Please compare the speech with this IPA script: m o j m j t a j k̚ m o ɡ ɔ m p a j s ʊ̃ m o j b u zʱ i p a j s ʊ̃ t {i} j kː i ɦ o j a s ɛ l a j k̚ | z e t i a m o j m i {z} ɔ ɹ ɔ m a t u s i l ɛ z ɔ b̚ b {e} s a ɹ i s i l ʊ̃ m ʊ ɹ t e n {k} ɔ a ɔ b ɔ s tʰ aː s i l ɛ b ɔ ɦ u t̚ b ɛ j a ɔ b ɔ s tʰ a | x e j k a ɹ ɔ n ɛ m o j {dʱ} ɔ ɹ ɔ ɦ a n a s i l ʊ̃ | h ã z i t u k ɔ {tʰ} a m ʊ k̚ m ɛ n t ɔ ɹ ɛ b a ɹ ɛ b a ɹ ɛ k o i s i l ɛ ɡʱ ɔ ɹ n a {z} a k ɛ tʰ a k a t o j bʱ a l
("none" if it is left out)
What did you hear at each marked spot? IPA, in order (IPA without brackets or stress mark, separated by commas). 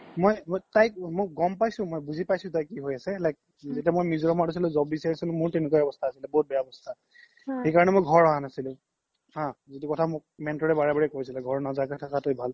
a, z, i, k, ɡʱ, tʰ, z